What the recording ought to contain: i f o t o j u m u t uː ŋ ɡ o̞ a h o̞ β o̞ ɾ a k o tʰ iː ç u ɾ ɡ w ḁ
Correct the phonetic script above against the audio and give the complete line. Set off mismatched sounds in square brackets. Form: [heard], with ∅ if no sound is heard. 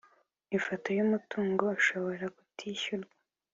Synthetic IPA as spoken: i f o t o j u m u t uː ŋ ɡ o̞ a [ʃ] o̞ β o̞ ɾ a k [u] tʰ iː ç u ɾ ɡ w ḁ

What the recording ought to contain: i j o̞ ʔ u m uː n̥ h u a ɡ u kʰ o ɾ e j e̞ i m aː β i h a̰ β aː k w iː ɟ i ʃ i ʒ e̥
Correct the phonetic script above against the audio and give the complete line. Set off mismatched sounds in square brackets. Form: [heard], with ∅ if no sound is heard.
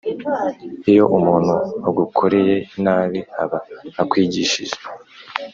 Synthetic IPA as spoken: i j o̞ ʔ u m uː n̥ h u a ɡ u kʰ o ɾ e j e̞ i [n] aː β i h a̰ β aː k w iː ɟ i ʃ i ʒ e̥

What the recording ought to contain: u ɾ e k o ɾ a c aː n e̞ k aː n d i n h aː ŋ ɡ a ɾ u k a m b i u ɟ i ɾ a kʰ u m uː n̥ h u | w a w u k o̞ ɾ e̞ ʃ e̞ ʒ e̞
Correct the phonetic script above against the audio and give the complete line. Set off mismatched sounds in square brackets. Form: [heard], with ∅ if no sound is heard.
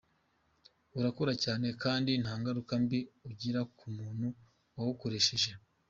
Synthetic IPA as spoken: u ɾ [a] k o ɾ a c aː n e̞ k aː n d i n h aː ŋ ɡ a ɾ u k a m b i u ɟ i ɾ a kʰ u m uː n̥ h u | w a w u k o̞ ɾ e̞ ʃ e̞ ʒ e̞

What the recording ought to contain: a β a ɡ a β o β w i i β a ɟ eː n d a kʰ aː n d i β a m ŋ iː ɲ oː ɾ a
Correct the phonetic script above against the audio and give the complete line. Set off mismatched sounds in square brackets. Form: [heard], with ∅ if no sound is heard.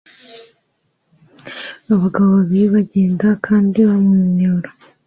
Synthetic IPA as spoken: a β a ɡ a β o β [β] i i β a ɟ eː n d a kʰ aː n d i β a m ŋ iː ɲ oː ɾ a

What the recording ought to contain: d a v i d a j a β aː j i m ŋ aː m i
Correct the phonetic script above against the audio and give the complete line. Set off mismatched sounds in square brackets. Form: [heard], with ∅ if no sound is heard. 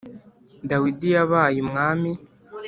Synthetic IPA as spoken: d a [w] i d [i] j a β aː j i m ŋ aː m i

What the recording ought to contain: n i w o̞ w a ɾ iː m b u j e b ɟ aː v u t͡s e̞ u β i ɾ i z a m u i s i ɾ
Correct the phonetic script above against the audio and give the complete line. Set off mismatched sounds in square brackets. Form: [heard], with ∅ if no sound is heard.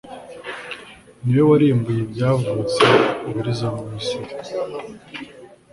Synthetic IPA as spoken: n i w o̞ w a ɾ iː m b u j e b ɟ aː v u t͡s e̞ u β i ɾ i z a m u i s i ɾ

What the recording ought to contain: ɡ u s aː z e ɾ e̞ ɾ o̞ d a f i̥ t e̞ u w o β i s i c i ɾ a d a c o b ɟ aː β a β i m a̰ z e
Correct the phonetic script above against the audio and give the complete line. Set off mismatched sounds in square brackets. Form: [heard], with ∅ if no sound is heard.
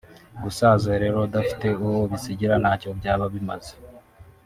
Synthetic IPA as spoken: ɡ u s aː z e ɾ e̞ ɾ o̞ d a f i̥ t e̞ u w o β i s i [ɟ] i ɾ a [n] a c o b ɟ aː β a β i m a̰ z e

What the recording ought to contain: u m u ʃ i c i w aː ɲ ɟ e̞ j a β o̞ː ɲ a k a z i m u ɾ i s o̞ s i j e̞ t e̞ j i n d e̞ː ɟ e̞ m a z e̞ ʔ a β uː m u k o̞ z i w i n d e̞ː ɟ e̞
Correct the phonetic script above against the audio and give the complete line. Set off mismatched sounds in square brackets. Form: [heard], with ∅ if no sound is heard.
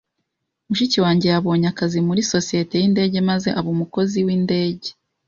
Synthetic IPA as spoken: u m u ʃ i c i w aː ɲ ɟ e̞ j a β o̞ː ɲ a k a z i m u ɾ i s o̞ s i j e̞ t e̞ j i n d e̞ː ɟ e̞ m a z e̞ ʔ a β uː m u k o̞ z i w i n d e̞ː ɟ e̞

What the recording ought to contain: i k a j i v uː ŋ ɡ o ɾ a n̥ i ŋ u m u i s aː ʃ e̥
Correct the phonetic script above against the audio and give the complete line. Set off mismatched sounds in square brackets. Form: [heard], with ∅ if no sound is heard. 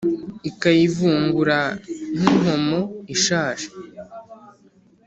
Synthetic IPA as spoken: i k a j i v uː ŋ ɡ [u] ɾ a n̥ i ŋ [o] m [o] i [ʃ] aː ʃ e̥

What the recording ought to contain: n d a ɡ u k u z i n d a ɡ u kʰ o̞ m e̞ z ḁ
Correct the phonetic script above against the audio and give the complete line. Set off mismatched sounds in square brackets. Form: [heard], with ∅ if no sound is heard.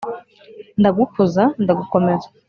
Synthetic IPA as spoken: n d a ɡ u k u z [a] n d a ɡ u [k] o̞ m e̞ z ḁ

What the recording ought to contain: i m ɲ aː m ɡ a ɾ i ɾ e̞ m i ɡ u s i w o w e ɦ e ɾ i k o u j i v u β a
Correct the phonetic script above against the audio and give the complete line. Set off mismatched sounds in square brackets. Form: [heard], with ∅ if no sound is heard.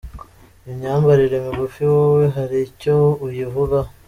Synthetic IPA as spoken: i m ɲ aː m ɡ a ɾ i ɾ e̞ m i ɡ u [f] i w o w e ɦ [a] ɾ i [c] o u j i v u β a

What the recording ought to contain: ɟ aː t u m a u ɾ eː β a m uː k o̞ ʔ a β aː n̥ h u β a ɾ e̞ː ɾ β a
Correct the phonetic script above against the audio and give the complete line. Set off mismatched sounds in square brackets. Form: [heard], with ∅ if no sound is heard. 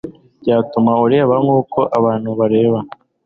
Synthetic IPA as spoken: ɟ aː t u m a u ɾ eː β a [ŋ] uː k o̞ ʔ a β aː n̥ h u β a ɾ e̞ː [∅] β a

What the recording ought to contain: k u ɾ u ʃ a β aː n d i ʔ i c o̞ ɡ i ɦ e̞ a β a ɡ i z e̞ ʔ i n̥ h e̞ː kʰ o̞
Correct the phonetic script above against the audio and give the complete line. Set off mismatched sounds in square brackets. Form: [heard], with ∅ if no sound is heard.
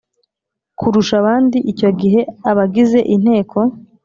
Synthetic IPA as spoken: k u ɾ u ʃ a β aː n d i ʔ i c o̞ ɡ i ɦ e̞ a β a ɡ i z e̞ ʔ i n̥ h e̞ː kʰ o̞

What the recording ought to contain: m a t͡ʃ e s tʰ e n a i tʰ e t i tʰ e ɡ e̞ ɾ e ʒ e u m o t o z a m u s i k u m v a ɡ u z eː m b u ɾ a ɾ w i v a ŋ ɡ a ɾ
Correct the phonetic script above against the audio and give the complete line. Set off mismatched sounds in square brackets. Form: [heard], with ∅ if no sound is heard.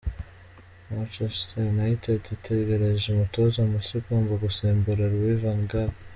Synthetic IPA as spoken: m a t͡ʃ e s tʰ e n a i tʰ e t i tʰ e ɡ e̞ ɾ e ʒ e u m [u] t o z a m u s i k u m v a ɡ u [s] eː m b u ɾ a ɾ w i v a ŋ ɡ a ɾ

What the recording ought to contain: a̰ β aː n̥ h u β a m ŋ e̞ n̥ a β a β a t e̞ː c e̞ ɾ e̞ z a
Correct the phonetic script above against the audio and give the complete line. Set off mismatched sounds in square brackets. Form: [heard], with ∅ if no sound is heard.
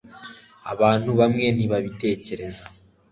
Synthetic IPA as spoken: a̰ β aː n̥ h u β a m ŋ e̞ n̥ [i] β a β [i] t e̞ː c e̞ ɾ e̞ z a

